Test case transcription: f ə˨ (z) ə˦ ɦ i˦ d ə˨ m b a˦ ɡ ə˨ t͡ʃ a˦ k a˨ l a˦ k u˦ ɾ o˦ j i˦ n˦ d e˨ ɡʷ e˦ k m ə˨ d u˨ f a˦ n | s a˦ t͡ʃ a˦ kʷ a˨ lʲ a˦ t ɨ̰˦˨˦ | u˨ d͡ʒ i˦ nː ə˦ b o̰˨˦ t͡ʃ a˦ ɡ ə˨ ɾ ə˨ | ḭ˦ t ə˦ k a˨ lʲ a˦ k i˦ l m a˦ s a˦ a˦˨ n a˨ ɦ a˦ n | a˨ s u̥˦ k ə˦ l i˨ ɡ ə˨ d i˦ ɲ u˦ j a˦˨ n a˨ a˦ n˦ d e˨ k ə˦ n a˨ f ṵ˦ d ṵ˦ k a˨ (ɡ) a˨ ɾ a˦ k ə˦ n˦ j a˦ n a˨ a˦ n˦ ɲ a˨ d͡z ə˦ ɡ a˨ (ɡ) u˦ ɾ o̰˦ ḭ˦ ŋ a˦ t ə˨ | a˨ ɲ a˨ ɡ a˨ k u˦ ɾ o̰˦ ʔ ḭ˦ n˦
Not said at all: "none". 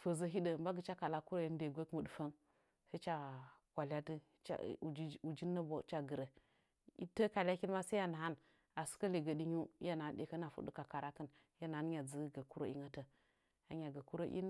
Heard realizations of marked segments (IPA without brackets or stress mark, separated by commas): z, k, k